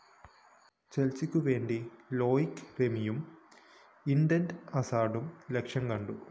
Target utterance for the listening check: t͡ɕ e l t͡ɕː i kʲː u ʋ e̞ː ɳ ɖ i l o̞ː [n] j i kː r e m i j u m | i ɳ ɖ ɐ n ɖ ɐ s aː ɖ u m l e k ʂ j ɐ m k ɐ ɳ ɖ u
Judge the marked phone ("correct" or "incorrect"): incorrect